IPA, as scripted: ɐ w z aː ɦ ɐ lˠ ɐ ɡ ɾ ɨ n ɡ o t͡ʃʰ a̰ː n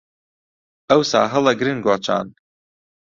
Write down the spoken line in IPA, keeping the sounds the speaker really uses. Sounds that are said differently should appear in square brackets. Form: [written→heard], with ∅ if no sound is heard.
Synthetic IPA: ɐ w [z→s] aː ɦ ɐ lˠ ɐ ɡ ɾ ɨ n ɡ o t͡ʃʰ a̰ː n